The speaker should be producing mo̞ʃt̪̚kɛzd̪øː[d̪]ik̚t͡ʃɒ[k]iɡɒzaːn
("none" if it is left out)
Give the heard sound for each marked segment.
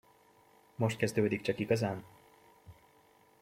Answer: d̪, k

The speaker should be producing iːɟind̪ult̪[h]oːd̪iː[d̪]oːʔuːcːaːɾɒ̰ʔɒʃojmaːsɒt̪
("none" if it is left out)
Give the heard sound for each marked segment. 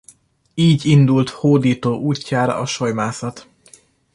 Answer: h, t̪

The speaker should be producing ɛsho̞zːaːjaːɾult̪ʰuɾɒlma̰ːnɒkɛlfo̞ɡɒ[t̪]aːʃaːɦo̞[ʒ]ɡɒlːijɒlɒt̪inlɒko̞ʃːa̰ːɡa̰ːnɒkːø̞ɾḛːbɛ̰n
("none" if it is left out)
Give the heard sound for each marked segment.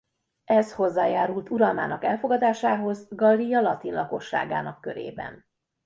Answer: d̪, z

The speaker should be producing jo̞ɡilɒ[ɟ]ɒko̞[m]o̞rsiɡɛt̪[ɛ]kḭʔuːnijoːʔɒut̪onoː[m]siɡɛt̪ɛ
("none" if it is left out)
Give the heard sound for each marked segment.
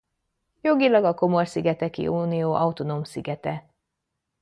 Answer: ɡ, m, ɛ, m

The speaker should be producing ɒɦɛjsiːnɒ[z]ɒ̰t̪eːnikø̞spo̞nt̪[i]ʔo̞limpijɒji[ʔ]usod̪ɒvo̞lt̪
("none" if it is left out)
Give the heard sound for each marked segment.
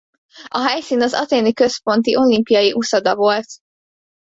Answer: z, i, ʔ

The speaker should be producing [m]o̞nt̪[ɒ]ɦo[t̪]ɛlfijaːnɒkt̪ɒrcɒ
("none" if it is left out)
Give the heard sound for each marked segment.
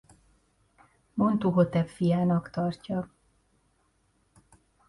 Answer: m, u, t̪

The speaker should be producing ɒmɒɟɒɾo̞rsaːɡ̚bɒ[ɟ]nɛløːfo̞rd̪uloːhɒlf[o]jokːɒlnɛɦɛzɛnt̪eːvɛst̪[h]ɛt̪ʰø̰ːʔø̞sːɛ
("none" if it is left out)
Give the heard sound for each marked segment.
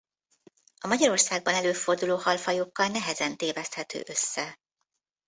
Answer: none, ɒ, h

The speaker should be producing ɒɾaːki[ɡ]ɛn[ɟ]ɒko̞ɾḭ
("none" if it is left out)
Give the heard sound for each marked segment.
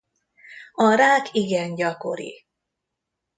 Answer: ɡ, ɟ

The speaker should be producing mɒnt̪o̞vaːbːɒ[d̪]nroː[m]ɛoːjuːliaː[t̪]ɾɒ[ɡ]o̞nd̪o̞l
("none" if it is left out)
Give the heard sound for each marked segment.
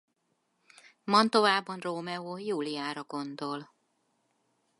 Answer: none, m, none, ɡ

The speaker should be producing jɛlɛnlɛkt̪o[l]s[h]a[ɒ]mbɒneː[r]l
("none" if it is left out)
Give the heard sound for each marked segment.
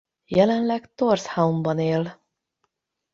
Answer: r, h, u, none

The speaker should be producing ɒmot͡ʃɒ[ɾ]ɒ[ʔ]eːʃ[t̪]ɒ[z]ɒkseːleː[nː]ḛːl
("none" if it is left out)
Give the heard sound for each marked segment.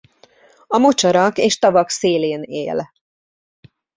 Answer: ɾ, k, t̪, v, n

